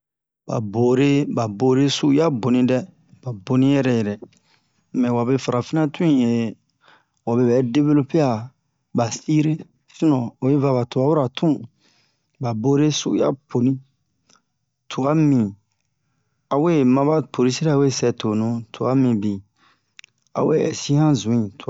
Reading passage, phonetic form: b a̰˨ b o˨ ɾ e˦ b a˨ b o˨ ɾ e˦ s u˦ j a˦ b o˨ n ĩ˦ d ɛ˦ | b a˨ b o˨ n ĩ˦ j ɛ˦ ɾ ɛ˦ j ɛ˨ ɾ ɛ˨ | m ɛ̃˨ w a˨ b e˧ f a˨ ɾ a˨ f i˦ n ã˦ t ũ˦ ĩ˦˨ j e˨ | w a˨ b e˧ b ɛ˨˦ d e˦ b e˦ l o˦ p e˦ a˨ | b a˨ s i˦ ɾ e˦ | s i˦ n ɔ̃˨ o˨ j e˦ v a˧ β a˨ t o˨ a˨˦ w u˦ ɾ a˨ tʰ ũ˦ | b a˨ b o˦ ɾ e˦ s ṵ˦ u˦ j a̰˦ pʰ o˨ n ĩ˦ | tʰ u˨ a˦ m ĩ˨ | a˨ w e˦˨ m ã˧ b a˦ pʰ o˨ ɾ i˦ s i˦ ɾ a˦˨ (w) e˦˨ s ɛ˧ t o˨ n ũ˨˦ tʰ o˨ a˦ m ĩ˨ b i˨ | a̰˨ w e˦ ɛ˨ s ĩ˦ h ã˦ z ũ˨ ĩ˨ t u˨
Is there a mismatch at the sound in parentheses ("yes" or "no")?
no